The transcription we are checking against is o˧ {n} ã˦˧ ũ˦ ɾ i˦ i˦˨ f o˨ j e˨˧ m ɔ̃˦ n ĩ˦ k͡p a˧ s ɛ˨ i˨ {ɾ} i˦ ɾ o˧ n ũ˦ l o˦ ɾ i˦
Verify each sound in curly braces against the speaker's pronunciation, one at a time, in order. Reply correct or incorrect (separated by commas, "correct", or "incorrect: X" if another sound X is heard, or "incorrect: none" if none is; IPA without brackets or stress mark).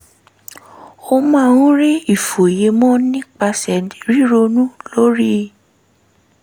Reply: incorrect: m, correct